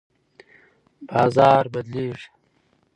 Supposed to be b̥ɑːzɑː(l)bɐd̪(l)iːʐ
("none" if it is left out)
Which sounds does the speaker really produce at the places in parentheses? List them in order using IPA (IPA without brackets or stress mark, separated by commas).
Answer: ɾ, l